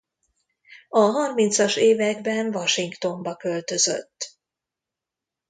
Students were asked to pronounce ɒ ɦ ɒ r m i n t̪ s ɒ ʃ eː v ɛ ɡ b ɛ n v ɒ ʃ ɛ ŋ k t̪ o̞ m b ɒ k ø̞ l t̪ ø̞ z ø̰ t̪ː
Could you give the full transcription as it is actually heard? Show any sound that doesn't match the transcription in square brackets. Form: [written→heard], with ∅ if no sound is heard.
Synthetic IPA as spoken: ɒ ɦ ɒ r m i n t̪ s ɒ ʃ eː v ɛ ɡ b ɛ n v ɒ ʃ [ɛ→i] ŋ k t̪ o̞ m b ɒ k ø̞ l t̪ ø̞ z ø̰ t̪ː